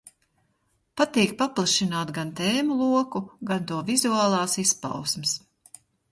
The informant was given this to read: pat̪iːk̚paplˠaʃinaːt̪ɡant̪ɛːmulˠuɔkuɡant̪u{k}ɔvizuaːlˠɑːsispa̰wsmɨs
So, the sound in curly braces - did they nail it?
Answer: no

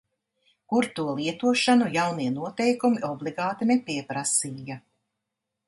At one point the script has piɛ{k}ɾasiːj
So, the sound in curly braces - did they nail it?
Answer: no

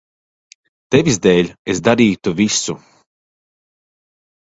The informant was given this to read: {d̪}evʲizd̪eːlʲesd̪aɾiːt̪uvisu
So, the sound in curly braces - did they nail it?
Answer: no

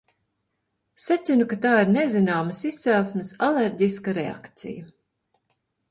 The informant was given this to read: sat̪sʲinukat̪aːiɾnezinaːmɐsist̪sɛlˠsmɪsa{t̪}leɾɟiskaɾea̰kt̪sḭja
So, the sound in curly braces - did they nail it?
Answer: no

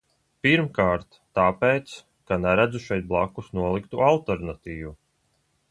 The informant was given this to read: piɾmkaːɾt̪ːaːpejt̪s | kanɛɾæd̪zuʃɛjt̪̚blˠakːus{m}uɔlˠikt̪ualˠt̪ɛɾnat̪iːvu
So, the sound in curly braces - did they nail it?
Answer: no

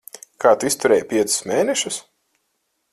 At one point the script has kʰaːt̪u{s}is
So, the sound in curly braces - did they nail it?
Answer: no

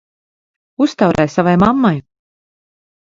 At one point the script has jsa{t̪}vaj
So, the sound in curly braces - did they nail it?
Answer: no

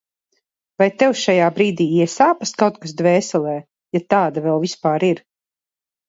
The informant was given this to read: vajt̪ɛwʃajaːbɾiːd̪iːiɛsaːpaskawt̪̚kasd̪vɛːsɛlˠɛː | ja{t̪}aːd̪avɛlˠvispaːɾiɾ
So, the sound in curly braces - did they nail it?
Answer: yes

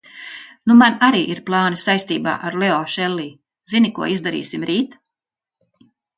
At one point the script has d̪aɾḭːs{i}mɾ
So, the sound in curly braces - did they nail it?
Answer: yes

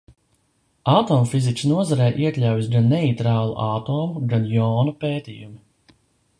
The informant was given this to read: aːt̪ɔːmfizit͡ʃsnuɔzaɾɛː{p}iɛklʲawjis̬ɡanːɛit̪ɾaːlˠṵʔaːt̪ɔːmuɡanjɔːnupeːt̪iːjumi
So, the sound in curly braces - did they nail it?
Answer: no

